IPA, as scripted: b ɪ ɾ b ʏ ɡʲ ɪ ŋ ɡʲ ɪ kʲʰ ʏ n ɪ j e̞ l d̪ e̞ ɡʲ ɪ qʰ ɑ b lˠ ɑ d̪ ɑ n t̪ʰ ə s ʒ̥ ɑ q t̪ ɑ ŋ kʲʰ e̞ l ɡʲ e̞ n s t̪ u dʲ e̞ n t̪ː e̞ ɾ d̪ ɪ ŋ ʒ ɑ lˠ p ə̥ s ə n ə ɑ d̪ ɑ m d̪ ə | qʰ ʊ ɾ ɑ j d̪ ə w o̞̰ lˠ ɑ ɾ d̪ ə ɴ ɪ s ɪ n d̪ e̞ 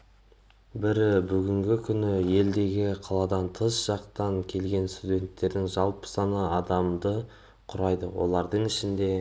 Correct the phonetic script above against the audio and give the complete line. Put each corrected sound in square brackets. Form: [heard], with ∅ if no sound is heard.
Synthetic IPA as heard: b ɪ ɾ b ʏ ɡʲ ɪ ŋ ɡʲ ɪ kʲʰ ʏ n ɪ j e̞ l d̪ e̞ ɡʲ ɪ qʰ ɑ [∅] lˠ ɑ d̪ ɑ n t̪ʰ ə s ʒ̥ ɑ q t̪ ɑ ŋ kʲʰ e̞ l ɡʲ e̞ n s t̪ u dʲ e̞ n t̪ː e̞ ɾ d̪ ɪ ŋ ʒ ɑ lˠ p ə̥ s [ɑ] n ə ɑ d̪ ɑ m d̪ ə | qʰ ʊ ɾ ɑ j d̪ ə w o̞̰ lˠ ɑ ɾ d̪ ə ɴ ɪ [ʃ] ɪ n d̪ e̞